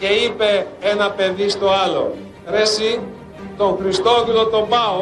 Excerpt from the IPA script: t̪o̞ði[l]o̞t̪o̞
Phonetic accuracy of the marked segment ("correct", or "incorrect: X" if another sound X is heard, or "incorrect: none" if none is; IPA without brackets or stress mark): correct